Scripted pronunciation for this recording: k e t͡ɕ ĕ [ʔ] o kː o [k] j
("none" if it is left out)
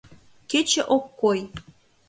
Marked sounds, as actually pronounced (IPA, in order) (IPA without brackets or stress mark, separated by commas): ʔ, none